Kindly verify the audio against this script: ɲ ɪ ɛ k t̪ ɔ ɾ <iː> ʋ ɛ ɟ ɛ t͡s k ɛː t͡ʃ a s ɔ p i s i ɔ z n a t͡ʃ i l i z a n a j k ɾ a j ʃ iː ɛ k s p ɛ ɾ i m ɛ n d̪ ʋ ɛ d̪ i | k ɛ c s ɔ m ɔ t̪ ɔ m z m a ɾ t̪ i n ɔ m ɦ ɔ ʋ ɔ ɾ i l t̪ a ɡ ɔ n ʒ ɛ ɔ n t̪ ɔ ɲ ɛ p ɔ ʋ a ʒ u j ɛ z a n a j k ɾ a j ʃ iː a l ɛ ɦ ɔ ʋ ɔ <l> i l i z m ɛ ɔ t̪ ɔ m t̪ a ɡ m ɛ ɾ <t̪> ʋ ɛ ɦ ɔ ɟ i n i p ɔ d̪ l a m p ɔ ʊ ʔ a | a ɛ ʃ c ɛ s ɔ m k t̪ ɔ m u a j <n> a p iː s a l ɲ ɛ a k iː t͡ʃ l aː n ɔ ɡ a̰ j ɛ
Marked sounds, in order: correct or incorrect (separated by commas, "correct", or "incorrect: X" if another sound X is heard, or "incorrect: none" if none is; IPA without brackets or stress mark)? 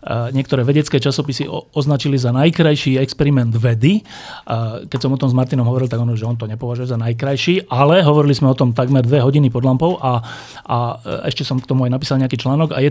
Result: incorrect: ɛː, incorrect: ɾ, incorrect: d̪, correct